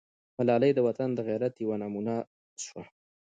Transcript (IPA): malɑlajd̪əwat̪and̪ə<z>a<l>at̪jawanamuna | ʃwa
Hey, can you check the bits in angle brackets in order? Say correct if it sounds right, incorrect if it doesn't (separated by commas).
incorrect, incorrect